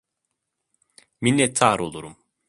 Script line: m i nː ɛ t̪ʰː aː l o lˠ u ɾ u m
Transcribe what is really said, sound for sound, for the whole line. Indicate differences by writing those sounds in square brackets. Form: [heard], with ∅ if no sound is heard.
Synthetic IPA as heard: m i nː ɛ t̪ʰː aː [ɾ] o lˠ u ɾ u m